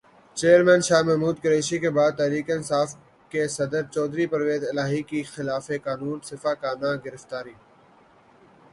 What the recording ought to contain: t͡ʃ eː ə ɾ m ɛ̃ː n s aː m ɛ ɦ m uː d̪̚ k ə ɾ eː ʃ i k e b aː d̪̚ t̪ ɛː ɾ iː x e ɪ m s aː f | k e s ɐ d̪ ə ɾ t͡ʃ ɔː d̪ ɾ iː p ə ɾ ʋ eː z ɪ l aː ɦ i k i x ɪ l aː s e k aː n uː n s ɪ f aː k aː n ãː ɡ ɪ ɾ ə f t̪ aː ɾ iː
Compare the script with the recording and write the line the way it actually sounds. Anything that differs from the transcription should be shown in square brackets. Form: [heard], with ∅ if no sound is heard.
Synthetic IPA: t͡ʃ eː ə ɾ m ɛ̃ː n [ʃ] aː m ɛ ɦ m uː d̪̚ k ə ɾ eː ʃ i k e b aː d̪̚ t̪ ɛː ɾ iː [k] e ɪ [n] s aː f | k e s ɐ d̪ ə ɾ t͡ʃ ɔː d̪ ɾ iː p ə ɾ ʋ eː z ɪ l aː ɦ i k i x ɪ l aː [f] e k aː n uː n s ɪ f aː k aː n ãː ɡ ɪ ɾ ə f t̪ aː ɾ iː